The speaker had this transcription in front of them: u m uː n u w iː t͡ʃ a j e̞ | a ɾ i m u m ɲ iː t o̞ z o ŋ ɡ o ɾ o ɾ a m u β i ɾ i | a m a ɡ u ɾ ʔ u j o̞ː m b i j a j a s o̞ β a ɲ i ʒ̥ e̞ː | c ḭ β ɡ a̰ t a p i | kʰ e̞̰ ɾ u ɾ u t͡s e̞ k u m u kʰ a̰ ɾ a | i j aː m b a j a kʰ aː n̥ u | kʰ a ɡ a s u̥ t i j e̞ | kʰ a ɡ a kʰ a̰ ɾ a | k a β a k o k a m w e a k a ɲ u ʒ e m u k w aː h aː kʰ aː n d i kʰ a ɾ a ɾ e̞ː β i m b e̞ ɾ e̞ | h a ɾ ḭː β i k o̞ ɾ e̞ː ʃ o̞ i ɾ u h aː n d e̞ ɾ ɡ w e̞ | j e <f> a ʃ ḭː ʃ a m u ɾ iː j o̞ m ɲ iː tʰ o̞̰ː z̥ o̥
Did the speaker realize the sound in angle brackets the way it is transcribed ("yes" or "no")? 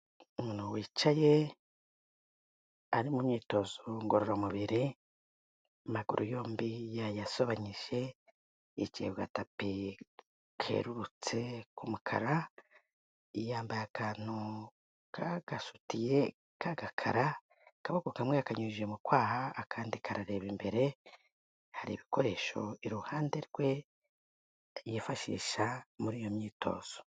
yes